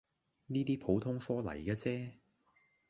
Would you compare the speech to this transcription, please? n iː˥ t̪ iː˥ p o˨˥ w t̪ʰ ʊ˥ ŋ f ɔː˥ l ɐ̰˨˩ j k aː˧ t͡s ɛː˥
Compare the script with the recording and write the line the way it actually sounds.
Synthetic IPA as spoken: n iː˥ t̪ iː˥ pʰ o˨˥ w t̪ʰ ʊ˥ ŋ f ɔː˥ l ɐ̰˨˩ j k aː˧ t͡s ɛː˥